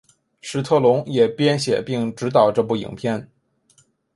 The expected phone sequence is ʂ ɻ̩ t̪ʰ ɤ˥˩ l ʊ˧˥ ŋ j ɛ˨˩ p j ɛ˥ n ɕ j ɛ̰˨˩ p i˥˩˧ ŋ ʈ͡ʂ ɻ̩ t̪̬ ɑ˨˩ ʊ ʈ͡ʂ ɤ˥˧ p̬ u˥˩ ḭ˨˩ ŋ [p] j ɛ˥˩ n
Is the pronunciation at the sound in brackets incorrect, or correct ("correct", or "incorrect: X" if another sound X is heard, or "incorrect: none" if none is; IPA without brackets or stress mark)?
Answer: incorrect: pʰ